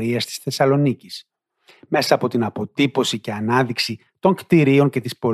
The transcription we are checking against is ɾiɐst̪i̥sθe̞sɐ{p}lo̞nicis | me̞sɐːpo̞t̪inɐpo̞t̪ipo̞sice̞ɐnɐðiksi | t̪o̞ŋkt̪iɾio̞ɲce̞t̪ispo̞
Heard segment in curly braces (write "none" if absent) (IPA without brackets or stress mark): none